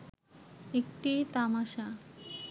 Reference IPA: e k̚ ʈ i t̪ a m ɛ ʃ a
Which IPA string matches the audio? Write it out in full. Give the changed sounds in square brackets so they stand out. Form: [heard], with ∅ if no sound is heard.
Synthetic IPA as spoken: e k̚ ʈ i t̪ a m [a] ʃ a